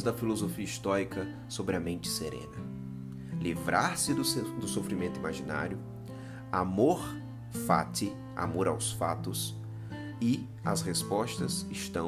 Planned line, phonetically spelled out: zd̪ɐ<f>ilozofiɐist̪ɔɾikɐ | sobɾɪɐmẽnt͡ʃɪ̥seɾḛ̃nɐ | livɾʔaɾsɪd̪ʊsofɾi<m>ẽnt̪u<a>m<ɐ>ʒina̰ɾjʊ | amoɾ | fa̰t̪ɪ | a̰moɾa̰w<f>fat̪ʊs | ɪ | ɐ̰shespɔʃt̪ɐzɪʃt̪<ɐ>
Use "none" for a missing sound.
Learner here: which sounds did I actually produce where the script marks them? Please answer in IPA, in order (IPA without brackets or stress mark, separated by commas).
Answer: f, m, i, a, s, ɐ̃